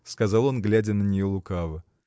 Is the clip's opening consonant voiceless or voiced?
voiceless